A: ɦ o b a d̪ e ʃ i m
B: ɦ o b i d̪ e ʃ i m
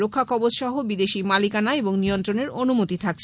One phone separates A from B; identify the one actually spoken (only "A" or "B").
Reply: B